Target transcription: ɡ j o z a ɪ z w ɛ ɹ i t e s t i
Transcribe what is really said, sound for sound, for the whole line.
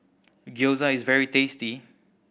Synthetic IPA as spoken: ɡ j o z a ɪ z v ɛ ɹ i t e s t i

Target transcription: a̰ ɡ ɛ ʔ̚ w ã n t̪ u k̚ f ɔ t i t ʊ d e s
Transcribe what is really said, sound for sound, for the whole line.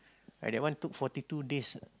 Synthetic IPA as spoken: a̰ d ɛ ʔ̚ w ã n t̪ u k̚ f ɔ t i t u d e s

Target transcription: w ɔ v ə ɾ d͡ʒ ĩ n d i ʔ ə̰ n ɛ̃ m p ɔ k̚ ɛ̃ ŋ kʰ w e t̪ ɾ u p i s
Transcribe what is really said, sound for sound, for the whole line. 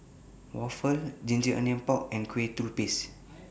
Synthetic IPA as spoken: w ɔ f ə l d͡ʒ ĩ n d͡ʒ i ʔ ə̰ n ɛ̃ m p ɔ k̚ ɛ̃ n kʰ w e t̪ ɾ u p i s

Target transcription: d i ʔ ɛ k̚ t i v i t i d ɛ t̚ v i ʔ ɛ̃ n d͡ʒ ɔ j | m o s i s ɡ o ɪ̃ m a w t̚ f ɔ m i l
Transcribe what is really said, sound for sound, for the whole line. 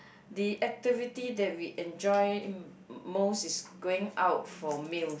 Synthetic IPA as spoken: d i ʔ ɛ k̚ t i v i t i d ɛ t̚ w i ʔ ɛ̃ n d͡ʒ ɔ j | m o s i s ɡ o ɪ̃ ŋ a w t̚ f ɔ m i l

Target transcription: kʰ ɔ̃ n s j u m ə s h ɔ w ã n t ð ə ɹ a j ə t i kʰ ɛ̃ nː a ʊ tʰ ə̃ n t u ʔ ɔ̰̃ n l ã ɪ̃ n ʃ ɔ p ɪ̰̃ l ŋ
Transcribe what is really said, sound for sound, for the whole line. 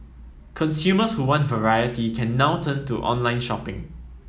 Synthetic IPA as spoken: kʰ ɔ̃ n s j u m ə s h u w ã n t v ə ɹ a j ə t i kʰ ɛ̃ nː a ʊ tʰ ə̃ n t u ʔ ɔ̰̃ n l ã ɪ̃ n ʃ ɔ p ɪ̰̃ ŋ

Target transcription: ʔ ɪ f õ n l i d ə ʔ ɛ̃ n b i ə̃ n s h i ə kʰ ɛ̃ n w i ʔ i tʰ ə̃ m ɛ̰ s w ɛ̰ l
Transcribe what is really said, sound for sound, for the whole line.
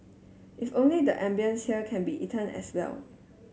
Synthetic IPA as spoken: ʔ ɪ f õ n l i d ə ʔ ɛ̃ m b i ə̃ n s h i ə kʰ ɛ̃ n b i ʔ i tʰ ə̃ n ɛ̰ s w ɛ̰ l

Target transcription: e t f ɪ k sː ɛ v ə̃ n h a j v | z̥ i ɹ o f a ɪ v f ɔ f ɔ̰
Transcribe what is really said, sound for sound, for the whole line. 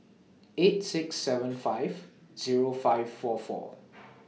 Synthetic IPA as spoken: e t s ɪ k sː ɛ v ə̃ n f a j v | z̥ i ɹ o f a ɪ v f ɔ f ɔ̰

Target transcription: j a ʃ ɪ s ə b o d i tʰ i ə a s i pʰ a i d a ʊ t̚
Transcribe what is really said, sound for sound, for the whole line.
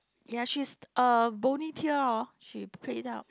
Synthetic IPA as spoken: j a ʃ i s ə b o n i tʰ i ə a ʃ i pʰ e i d a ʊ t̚

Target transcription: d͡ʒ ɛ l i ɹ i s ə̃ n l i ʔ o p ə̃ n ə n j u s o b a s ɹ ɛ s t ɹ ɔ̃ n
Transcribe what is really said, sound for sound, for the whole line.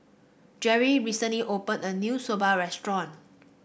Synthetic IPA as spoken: d͡ʒ ɛ ɹ i ɹ i s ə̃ n l i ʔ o p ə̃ n ə n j u s o b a ɹ ɛ s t ɹ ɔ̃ n

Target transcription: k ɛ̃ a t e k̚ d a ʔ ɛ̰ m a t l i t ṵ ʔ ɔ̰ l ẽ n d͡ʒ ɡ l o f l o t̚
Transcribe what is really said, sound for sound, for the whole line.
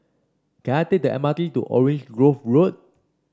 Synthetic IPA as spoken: k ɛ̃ a t e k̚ d ə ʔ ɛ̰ m a t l i t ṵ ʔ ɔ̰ ɹ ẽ n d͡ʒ ɡ ɹ o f ɹ o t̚

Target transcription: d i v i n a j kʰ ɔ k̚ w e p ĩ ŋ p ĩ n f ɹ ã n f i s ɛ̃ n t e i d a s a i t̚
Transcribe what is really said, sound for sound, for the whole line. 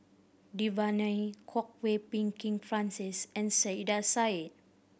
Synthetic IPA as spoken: d i v a n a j kʰ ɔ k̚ w e p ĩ ŋ k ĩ ŋ f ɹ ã n s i s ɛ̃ n s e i d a s a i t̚

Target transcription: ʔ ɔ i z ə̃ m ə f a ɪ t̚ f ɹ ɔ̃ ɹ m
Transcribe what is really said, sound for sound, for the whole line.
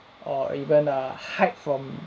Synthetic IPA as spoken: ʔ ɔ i v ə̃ n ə h a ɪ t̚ f ɹ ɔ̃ m

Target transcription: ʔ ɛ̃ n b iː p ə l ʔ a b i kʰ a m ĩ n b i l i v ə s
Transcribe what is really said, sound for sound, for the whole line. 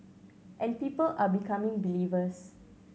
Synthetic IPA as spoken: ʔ ɛ̃ n p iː p ə l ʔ a b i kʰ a m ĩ ŋ b i l i v ə s

